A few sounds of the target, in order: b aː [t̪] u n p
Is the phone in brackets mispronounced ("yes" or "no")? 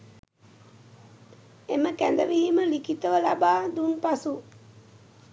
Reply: yes